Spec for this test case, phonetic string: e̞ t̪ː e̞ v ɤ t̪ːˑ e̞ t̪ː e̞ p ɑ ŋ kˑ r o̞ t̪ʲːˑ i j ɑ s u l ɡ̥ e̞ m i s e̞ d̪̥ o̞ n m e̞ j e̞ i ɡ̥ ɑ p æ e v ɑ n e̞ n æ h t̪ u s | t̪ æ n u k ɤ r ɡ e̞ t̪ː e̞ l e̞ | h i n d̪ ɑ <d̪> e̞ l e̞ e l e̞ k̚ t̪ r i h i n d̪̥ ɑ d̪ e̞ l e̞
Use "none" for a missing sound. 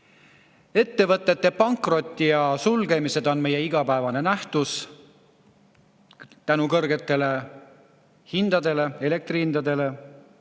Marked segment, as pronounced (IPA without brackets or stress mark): d̪